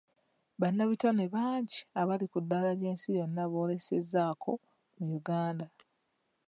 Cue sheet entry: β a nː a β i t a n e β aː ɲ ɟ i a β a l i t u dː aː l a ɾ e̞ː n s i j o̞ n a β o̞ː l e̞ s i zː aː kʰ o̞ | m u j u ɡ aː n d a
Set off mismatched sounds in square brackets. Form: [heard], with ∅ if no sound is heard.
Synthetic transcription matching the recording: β a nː a β i t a n e β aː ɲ ɟ i a β a l i [k] u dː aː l a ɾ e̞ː n s i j o̞ [nː] a β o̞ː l e̞ s [e] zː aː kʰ o̞ | m u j u ɡ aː n d a